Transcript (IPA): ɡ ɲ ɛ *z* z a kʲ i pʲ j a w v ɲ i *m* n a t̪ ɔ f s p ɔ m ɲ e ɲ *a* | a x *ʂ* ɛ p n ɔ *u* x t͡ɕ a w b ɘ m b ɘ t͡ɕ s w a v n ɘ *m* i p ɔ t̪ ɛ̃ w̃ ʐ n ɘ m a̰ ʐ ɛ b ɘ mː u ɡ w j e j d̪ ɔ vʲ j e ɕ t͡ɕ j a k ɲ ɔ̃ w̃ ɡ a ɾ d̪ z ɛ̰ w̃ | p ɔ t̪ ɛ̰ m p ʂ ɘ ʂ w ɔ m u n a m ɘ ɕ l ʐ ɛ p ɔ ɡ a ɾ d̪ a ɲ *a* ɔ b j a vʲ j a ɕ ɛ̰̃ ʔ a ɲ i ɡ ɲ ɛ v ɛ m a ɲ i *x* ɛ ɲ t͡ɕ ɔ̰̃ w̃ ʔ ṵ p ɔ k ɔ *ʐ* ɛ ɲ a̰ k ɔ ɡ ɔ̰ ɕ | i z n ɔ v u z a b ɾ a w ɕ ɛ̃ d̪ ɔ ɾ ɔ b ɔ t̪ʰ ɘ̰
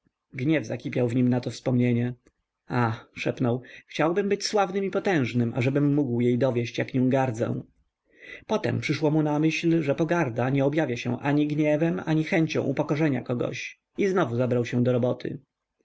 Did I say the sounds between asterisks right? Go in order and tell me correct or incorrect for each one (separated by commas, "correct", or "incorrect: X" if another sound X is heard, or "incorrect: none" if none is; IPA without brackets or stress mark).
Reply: incorrect: v, correct, incorrect: ɛ, correct, incorrect: w, correct, incorrect: ɛ, correct, correct